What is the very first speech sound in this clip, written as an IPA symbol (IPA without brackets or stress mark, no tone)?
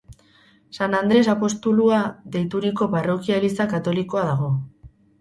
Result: s